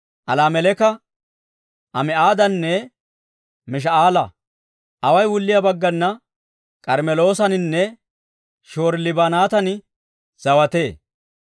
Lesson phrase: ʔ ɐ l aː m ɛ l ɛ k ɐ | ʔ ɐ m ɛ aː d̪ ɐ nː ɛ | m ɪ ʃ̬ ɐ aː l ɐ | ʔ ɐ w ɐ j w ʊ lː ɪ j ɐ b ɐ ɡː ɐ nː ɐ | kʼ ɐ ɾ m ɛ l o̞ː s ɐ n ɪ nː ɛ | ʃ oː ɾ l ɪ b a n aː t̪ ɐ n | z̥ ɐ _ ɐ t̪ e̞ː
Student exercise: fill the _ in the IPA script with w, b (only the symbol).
w